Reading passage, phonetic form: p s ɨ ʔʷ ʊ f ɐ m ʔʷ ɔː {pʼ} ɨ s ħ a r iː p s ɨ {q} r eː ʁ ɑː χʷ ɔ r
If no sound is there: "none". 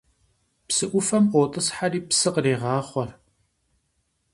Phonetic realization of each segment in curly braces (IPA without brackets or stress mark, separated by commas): tʼ, q